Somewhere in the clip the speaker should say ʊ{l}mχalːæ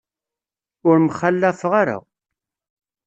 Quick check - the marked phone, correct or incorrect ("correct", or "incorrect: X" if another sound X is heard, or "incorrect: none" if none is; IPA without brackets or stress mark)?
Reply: incorrect: ɾ